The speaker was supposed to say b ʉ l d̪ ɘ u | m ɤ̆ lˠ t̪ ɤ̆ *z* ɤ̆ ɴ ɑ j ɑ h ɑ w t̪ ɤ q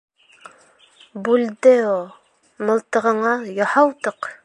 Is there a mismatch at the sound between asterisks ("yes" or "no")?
yes